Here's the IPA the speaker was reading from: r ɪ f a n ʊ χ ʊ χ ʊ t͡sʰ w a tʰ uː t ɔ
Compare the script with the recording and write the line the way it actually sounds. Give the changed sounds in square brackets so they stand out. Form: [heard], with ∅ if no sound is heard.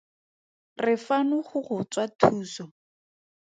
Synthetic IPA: r ɪ f a n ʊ χ ʊ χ ʊ [t͡s] w a tʰ uː [s] ɔ